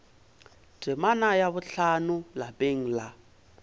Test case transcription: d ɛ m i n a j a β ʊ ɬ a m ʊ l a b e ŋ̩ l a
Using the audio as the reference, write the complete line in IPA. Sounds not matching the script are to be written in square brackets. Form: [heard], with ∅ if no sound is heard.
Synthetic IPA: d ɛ m [a] n a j a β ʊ ɬ a [n] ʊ l a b e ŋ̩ l a